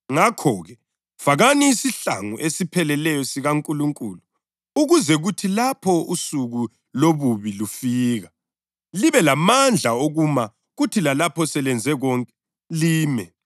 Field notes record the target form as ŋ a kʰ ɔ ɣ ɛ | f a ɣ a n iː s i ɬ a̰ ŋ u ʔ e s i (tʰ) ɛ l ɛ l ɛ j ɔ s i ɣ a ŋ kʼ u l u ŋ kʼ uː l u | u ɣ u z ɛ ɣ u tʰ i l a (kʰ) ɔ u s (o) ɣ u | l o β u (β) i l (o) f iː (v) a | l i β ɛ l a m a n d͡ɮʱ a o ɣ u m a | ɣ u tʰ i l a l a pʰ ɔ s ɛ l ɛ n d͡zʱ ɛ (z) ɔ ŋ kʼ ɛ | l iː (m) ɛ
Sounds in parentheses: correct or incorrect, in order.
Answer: incorrect, incorrect, incorrect, correct, incorrect, incorrect, incorrect, correct

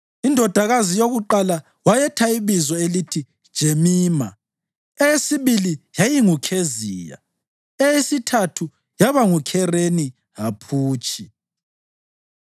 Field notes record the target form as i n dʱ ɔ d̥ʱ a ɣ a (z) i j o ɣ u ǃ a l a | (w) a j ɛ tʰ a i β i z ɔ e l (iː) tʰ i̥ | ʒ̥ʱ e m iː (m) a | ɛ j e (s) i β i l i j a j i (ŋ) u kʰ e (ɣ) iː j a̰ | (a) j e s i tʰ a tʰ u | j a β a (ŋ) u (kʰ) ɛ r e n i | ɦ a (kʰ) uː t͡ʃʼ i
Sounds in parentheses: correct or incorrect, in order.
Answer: correct, correct, incorrect, correct, correct, correct, incorrect, incorrect, correct, correct, incorrect

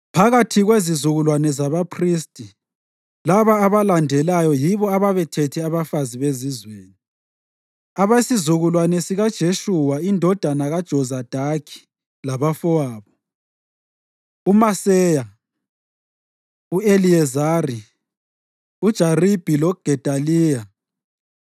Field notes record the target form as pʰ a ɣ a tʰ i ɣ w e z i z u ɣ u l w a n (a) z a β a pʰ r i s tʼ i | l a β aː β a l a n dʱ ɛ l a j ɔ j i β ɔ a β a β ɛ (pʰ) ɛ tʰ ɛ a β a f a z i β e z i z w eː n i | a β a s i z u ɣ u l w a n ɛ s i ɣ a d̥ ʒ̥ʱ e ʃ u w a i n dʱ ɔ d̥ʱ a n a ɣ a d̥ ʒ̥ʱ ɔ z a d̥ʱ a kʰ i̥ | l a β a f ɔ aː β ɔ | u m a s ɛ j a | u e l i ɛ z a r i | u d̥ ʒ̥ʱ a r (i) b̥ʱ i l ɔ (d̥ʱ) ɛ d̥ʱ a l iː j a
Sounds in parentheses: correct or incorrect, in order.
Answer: incorrect, incorrect, correct, incorrect

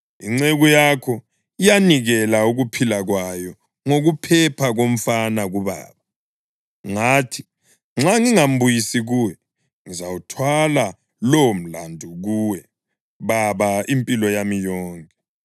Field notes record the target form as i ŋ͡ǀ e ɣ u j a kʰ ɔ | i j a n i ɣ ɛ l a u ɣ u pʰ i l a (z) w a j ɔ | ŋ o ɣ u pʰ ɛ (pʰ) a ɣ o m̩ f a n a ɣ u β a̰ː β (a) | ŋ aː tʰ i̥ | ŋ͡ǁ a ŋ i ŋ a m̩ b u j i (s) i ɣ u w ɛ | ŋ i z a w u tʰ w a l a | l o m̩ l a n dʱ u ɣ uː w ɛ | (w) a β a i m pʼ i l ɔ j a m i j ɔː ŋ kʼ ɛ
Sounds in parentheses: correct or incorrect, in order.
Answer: incorrect, correct, correct, correct, incorrect

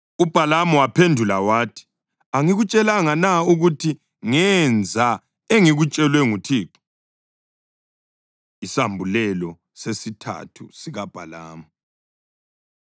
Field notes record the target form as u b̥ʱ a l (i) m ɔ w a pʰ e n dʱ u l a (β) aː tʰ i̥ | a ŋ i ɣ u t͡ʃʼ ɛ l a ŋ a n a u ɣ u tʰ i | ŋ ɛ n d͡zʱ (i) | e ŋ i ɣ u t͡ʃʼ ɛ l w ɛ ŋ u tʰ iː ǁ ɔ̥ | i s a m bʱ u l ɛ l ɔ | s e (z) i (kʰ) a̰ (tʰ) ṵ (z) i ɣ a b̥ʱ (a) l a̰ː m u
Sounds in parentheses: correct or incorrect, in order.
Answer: incorrect, incorrect, incorrect, incorrect, incorrect, correct, incorrect, correct

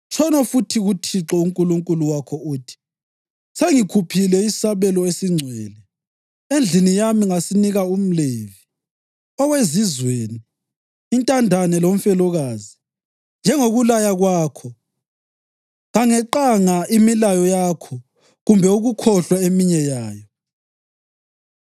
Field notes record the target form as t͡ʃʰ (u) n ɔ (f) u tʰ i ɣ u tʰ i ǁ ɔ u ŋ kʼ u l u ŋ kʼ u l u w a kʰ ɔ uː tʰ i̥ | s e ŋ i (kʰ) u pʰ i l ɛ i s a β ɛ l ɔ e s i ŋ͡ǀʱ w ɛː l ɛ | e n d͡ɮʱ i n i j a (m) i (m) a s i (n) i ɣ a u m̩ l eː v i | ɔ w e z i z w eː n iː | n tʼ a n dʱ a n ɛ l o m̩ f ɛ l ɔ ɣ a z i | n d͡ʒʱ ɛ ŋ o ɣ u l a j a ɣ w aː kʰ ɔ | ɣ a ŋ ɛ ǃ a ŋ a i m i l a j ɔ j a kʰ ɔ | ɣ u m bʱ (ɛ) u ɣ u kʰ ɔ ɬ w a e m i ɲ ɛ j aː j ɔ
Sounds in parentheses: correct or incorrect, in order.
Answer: incorrect, correct, correct, correct, incorrect, correct, correct

